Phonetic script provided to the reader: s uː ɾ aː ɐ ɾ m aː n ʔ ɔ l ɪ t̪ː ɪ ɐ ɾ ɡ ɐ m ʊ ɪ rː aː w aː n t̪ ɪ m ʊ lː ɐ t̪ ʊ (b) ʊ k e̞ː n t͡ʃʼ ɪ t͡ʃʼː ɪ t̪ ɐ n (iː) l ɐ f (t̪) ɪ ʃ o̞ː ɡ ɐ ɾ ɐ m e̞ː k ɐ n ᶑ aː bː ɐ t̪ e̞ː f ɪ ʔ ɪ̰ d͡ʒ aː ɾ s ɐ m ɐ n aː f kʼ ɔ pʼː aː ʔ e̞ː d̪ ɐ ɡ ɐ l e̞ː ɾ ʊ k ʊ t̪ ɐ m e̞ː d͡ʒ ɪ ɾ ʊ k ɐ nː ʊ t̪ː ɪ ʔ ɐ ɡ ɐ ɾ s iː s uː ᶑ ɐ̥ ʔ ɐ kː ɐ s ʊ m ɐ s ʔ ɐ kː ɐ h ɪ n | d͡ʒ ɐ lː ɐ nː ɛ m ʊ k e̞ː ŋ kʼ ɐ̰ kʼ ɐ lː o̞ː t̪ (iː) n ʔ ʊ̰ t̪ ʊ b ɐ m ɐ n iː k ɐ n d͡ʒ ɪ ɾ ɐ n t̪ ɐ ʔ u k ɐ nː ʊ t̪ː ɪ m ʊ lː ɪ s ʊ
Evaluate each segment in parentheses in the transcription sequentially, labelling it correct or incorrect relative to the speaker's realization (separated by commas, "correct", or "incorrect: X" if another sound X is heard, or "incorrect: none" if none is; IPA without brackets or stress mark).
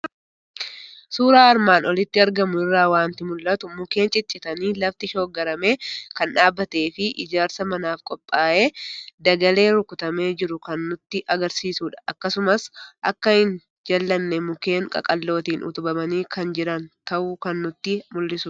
incorrect: m, correct, correct, correct